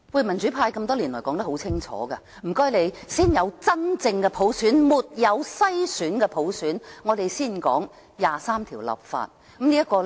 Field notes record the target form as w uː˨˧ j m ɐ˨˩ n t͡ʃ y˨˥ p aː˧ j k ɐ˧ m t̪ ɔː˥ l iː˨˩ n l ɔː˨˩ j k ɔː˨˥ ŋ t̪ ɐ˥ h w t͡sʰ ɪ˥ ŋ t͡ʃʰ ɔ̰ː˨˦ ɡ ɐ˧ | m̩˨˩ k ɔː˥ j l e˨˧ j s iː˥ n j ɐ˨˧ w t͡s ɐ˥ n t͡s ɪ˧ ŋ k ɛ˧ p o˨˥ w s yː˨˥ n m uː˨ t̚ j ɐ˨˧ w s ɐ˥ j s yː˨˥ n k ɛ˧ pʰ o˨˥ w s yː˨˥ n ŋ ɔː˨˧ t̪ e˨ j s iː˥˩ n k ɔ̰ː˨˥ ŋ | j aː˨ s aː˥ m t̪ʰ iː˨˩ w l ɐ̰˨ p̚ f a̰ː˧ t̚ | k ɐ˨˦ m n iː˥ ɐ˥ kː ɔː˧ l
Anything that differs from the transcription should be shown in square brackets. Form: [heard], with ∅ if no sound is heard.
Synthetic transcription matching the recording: w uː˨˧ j m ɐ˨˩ n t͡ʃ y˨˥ [pʰ] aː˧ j k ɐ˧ m t̪ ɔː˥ l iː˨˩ n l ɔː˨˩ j k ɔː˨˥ ŋ t̪ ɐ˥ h w t͡sʰ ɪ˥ ŋ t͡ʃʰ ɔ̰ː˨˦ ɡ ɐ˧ | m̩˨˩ k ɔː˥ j l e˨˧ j s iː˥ n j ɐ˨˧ w t͡s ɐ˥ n t͡s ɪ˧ ŋ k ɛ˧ [pʰ] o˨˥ w s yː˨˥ n m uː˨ t̚ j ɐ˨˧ w s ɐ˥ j s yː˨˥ n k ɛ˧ pʰ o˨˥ w s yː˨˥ n ŋ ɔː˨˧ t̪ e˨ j s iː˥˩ n k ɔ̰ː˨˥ ŋ | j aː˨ s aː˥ m t̪ʰ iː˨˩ w l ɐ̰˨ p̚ f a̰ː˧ t̚ | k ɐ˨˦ m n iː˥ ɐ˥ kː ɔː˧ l